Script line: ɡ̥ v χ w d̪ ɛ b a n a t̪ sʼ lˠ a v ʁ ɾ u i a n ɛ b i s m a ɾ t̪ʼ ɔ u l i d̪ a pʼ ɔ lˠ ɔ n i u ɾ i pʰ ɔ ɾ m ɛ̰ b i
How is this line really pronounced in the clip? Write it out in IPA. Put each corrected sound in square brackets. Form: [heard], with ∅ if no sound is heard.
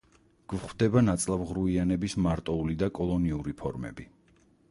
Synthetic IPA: ɡ̥ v χ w d̪ ɛ b a n a t̪ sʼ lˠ a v ʁ ɾ u i a n ɛ b i s m a ɾ t̪ʼ ɔ u l i d̪ a [kʼ] ɔ lˠ ɔ n i u ɾ i pʰ ɔ ɾ m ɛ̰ b i